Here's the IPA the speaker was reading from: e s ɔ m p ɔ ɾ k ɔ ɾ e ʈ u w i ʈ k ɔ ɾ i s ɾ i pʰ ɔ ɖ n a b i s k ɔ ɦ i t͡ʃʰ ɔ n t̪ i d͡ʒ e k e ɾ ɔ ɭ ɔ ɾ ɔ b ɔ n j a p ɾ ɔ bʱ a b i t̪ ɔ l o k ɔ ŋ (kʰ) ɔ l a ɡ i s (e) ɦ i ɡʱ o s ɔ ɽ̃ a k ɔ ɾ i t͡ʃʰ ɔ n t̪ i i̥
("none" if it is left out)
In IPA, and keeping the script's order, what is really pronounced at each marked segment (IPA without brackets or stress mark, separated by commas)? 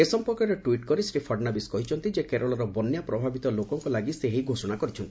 k, e